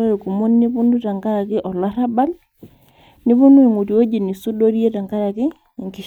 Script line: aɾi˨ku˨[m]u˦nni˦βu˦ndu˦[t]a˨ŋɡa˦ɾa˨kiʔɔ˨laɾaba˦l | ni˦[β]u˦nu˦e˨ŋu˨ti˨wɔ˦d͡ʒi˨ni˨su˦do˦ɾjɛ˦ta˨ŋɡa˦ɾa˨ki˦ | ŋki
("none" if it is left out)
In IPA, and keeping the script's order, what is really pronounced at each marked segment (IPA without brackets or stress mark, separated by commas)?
m, t, β